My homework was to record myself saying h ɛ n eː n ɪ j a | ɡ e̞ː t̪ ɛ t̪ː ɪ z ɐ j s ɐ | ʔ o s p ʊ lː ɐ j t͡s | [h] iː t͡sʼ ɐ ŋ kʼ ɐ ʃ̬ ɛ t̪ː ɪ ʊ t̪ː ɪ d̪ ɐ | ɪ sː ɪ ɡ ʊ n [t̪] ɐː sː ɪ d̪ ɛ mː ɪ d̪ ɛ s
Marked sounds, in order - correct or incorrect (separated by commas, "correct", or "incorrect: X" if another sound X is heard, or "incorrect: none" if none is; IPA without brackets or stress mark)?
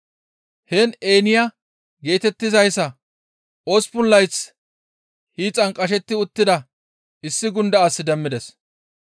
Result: correct, incorrect: d̪